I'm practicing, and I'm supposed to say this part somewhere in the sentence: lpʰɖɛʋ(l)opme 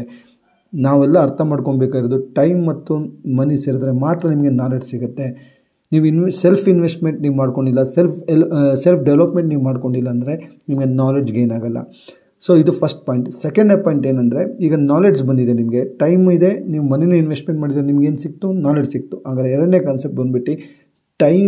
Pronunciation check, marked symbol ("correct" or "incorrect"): correct